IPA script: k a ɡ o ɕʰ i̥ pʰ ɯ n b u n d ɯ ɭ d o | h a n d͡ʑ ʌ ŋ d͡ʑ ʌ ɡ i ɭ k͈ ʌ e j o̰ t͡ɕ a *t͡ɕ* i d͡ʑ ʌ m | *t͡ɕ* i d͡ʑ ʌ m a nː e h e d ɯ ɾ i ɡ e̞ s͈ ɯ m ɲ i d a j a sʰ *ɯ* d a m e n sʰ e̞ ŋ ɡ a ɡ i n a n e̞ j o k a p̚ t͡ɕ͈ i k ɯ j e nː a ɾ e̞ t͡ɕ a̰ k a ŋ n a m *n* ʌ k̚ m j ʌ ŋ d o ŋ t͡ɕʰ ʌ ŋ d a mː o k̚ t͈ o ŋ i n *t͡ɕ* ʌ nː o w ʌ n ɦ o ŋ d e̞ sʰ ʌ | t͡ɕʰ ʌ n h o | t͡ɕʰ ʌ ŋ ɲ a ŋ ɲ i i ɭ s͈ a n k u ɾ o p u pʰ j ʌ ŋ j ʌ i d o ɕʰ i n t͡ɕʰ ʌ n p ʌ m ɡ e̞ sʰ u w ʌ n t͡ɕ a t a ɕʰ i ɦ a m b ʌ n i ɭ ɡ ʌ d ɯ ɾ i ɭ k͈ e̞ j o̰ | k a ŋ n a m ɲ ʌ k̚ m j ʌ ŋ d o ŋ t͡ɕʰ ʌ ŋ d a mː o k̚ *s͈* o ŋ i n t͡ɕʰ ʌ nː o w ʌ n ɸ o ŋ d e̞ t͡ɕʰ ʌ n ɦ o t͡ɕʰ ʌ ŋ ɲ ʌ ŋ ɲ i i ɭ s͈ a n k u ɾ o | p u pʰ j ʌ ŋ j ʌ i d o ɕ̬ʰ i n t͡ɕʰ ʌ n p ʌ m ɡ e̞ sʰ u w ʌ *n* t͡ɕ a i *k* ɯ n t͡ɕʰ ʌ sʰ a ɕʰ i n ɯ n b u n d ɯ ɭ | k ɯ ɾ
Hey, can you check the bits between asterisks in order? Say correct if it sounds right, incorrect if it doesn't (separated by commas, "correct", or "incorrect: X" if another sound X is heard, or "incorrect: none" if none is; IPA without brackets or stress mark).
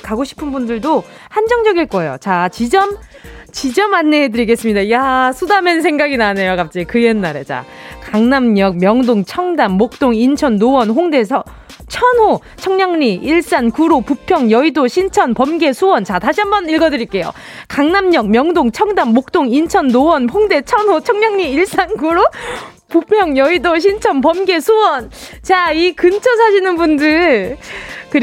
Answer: correct, correct, incorrect: u, incorrect: ɲ, incorrect: t͡ɕʰ, incorrect: t͈, correct, correct